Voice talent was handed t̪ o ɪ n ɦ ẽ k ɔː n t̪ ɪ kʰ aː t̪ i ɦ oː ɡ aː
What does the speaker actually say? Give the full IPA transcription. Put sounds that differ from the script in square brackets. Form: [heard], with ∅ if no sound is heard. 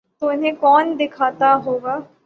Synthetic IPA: t̪ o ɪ n ɦ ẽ k ɔː n [d̪] ɪ kʰ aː t̪ [a] ɦ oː ɡ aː